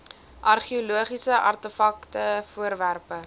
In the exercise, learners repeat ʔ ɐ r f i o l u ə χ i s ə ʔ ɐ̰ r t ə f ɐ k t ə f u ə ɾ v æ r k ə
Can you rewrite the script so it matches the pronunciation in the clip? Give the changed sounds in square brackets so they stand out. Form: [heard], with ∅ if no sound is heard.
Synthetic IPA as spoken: ʔ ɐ r [χ] i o l u ə χ i s ə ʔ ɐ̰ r t ə f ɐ k t ə f u ə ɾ v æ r [p] ə